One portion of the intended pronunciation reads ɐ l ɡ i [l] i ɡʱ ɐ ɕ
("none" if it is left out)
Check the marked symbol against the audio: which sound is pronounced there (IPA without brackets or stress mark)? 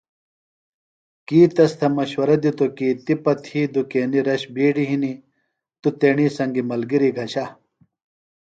ɾ